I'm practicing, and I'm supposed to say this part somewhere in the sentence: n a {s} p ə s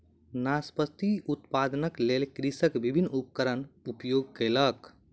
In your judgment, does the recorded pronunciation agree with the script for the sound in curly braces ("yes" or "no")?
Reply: yes